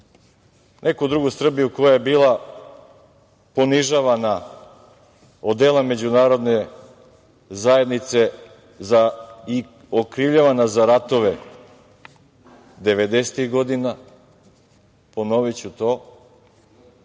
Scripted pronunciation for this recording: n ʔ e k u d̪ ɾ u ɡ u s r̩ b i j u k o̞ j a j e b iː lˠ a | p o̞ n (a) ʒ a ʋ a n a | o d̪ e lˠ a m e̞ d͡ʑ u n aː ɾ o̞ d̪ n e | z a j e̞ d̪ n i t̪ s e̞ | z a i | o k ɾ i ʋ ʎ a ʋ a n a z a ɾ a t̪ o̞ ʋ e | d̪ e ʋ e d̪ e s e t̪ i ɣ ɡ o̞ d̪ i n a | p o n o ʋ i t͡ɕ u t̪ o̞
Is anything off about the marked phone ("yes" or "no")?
yes